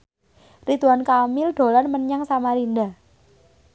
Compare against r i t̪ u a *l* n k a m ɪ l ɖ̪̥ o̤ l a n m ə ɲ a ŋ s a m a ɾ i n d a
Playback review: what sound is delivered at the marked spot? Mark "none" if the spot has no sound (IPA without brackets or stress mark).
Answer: none